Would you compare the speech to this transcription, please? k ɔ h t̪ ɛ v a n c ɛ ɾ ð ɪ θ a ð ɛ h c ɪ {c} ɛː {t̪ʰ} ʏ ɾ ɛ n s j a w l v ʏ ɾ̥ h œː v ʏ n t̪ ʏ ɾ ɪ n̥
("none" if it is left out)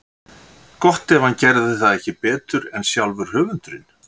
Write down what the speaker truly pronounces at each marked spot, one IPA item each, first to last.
p, t̪

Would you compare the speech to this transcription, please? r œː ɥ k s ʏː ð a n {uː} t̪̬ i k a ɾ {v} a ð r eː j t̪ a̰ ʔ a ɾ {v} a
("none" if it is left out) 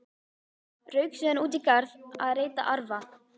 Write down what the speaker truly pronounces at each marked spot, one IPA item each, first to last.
uː, ð, v

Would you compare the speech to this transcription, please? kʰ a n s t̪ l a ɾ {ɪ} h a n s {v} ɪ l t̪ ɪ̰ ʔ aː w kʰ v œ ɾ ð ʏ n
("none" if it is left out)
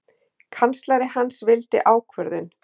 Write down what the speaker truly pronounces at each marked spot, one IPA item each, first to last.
ɪ, v

